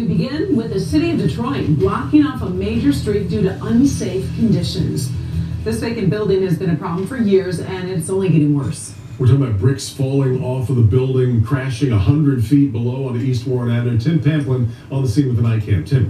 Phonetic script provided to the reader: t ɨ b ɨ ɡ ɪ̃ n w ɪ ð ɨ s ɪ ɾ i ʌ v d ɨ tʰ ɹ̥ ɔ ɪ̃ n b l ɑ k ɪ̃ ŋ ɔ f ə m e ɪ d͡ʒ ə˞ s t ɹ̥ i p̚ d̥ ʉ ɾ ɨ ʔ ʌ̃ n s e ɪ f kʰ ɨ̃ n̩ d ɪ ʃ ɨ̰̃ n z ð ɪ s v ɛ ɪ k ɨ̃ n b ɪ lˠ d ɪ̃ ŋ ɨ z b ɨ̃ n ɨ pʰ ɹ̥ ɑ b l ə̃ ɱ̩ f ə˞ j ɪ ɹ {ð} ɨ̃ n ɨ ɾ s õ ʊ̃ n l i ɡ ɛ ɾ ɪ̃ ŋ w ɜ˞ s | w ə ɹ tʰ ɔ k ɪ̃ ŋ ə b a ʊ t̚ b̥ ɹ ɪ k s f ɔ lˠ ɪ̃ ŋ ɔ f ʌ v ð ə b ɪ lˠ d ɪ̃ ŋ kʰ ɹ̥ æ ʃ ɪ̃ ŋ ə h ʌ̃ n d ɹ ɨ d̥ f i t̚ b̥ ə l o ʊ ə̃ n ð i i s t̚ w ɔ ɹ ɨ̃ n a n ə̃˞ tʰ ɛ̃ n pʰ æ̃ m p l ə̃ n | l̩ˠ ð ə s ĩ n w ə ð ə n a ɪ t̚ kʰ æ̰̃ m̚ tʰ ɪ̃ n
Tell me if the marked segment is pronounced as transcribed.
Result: no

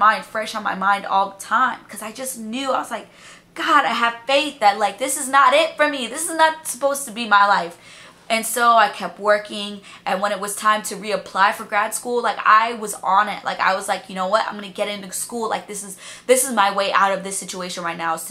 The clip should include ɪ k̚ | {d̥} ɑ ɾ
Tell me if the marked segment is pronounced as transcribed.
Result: no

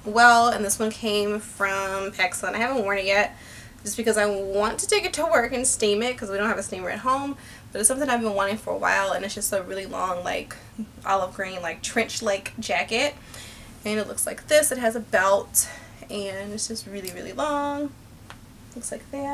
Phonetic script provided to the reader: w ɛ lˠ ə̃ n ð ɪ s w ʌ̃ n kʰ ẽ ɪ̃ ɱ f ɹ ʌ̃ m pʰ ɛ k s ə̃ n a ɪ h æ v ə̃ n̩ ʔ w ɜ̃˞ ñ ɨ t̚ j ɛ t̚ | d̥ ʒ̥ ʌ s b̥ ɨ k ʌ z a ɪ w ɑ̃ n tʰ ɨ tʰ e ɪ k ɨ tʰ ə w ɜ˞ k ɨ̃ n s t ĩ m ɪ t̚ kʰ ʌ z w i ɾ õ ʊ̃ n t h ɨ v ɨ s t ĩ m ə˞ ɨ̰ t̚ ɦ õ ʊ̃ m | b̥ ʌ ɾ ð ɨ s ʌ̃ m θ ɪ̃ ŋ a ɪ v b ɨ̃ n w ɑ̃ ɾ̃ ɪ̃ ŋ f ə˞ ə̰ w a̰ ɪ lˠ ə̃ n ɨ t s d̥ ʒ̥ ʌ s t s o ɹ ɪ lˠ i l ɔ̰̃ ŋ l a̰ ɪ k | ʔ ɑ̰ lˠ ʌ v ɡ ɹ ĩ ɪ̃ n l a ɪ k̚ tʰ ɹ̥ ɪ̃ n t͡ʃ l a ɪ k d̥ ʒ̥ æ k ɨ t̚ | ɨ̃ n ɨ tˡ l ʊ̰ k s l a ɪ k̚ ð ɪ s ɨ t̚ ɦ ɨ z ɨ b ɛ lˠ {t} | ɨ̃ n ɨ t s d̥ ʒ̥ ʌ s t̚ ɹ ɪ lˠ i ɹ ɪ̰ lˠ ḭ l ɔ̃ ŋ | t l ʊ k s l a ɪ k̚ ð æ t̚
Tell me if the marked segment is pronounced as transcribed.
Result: yes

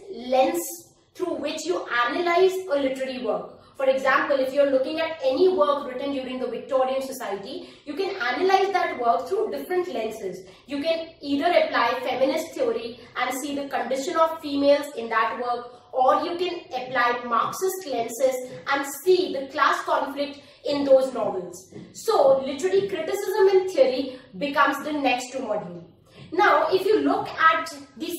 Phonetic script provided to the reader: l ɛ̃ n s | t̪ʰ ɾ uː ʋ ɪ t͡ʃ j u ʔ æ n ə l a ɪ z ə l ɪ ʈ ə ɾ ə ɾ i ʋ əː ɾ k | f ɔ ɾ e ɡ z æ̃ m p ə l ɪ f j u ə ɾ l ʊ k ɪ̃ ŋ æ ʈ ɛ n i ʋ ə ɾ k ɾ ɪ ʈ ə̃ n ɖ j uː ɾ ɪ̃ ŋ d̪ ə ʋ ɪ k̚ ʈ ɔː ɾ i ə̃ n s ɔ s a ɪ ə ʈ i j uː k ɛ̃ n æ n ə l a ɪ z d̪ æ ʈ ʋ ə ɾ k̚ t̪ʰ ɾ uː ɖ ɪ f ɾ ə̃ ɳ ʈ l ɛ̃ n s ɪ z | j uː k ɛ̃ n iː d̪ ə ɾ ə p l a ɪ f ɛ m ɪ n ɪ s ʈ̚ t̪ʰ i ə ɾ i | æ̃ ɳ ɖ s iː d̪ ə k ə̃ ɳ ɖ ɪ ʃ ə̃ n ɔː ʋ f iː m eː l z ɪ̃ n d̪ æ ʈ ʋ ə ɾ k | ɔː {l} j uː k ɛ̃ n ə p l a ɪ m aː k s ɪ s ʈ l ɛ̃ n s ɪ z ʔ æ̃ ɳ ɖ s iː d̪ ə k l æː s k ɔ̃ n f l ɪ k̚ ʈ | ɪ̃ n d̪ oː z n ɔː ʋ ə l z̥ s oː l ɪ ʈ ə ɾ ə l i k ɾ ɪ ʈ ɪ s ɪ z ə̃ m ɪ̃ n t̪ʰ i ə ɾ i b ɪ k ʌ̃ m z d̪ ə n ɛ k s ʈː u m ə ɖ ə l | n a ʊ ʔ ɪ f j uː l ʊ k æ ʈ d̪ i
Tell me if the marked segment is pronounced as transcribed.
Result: no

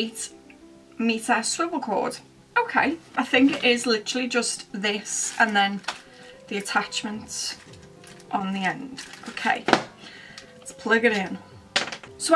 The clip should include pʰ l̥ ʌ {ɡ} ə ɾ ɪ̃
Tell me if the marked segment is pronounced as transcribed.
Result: yes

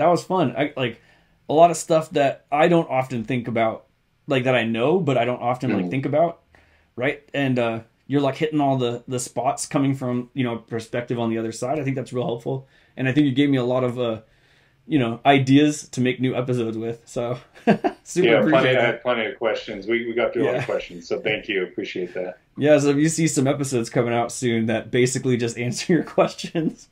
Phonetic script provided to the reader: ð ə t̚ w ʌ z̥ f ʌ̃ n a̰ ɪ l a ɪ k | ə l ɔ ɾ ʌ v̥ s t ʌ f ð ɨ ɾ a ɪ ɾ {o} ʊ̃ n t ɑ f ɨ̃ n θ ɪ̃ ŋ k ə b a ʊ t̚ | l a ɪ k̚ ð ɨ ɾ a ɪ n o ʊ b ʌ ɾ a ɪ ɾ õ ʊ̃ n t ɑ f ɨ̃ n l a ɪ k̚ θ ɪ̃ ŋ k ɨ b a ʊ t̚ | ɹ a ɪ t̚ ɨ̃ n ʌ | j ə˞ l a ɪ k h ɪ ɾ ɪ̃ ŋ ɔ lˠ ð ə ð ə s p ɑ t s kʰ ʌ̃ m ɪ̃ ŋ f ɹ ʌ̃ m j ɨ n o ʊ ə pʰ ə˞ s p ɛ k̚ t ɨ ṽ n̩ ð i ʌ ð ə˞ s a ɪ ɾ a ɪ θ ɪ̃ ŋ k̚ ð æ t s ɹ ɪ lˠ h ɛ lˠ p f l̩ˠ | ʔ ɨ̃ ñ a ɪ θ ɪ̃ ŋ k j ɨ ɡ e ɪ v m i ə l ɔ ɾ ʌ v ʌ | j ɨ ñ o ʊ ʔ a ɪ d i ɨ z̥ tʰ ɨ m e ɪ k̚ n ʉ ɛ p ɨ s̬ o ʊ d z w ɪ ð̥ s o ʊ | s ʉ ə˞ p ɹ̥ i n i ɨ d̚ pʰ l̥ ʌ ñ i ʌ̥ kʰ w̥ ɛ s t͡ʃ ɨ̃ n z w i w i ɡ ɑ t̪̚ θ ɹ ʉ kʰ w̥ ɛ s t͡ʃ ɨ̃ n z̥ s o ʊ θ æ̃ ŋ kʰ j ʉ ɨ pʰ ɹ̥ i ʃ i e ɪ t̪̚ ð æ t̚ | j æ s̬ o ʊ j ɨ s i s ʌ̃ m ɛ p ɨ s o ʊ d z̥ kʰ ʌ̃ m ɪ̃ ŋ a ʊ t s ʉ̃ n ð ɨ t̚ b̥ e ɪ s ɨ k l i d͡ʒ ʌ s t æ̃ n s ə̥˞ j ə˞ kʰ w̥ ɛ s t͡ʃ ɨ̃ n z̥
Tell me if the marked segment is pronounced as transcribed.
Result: no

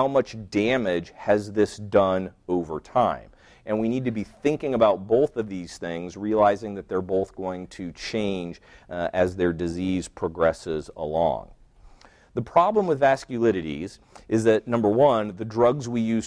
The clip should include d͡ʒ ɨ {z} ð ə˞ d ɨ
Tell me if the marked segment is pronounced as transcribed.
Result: yes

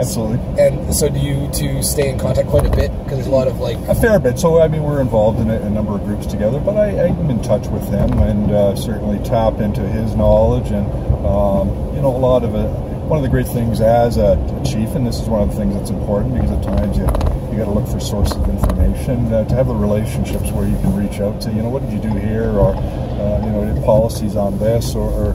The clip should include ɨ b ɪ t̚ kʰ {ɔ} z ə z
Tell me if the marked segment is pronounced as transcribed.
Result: no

